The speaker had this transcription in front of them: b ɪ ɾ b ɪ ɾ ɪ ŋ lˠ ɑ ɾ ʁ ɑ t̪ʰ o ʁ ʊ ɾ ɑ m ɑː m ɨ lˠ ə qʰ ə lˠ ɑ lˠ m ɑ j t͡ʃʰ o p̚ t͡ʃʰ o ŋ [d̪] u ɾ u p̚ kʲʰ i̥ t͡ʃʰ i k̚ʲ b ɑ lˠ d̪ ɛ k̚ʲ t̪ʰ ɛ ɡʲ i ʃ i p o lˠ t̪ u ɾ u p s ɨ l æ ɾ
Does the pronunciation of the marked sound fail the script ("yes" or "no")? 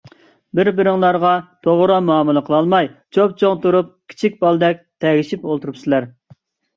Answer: yes